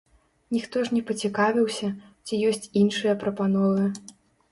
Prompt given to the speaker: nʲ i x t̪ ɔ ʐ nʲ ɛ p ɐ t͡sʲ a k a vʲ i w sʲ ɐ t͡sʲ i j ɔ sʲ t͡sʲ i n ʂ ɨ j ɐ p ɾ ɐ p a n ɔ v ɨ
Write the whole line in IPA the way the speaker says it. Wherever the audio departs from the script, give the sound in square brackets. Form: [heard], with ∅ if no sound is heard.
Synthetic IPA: nʲ i x t̪ ɔ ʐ nʲ ɛ p ɐ t͡sʲ [i] k a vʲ i w sʲ ɐ t͡sʲ i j ɔ sʲ t͡sʲ i n ʂ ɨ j ɐ p ɾ ɐ p a n ɔ v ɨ